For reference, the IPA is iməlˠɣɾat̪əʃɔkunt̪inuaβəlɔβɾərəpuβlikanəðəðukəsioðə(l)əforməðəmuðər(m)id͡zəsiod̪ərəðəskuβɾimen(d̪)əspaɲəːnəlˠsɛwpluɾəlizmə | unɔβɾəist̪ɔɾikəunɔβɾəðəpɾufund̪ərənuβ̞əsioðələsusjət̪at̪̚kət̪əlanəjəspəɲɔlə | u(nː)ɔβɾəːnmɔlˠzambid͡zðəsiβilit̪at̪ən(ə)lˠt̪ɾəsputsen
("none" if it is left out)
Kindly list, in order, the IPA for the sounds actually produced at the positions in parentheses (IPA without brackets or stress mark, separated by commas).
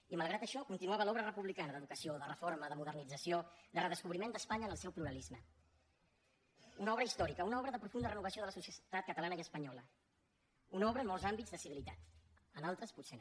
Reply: r, n, d̪, n, a